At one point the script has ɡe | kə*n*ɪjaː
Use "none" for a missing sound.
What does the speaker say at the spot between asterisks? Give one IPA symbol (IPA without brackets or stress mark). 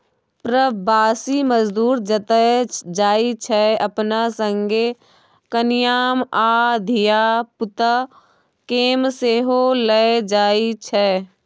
n